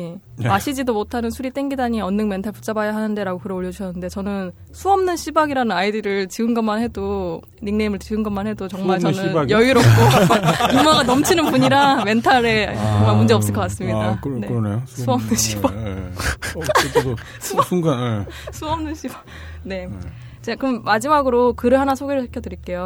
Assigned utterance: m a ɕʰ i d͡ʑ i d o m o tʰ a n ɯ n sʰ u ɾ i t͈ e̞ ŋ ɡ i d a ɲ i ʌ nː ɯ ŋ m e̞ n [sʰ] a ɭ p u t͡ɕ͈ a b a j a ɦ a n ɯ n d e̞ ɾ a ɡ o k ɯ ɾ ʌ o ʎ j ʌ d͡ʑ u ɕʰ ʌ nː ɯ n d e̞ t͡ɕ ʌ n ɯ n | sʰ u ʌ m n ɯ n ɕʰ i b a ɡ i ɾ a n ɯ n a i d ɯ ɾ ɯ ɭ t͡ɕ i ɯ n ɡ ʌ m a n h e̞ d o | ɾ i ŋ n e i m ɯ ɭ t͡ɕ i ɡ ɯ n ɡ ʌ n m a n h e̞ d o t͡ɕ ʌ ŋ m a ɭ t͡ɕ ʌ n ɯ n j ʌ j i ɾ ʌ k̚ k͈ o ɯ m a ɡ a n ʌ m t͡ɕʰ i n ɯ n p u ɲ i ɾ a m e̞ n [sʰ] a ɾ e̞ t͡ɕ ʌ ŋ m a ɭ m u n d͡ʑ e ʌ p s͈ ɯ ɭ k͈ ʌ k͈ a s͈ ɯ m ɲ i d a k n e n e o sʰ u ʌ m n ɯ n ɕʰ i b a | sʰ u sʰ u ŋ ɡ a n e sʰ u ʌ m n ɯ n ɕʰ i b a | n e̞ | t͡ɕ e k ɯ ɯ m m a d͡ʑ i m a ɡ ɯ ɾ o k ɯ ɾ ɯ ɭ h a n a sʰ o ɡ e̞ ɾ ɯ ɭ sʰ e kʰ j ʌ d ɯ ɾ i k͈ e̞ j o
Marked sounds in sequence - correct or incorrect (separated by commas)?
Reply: incorrect, incorrect